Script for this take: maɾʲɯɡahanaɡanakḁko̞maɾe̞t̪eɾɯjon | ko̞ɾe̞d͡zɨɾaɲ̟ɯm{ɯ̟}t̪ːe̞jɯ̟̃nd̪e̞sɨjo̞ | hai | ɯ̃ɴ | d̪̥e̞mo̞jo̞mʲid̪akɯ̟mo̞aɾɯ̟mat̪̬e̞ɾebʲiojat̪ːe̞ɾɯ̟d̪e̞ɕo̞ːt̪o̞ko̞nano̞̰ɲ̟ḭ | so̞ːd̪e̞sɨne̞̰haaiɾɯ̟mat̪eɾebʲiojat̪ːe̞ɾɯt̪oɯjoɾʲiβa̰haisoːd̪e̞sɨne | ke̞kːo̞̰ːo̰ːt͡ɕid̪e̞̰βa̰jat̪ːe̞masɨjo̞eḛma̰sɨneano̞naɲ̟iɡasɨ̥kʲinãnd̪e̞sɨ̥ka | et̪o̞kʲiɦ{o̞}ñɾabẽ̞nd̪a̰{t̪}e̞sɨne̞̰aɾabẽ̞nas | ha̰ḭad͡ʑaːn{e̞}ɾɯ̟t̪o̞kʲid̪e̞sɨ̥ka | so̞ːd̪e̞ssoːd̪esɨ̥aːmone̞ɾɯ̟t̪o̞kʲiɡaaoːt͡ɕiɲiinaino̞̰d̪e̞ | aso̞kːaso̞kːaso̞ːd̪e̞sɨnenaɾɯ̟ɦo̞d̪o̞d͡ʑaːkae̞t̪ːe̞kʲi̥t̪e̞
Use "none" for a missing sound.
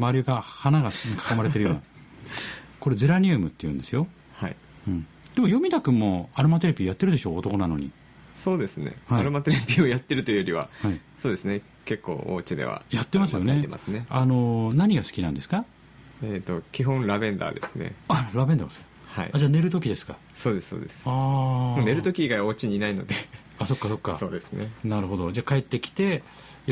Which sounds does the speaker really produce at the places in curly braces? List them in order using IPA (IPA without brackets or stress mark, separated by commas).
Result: ɯ̟, õ̞, d̪, e̞